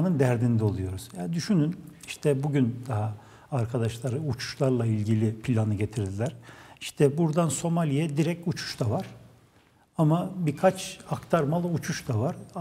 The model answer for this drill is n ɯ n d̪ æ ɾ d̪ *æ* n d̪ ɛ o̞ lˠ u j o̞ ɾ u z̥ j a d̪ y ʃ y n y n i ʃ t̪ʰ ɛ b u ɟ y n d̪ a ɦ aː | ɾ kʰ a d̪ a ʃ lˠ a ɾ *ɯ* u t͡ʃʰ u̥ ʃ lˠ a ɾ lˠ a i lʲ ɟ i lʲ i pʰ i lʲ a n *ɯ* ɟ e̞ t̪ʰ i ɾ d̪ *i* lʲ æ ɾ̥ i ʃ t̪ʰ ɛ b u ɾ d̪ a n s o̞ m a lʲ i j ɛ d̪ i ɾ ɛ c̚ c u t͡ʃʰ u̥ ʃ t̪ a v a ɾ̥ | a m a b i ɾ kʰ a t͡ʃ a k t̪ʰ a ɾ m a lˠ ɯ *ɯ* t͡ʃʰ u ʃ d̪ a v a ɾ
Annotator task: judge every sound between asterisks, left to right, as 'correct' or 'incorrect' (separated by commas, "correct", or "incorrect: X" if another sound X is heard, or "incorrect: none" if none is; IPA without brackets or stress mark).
incorrect: i, correct, correct, correct, incorrect: u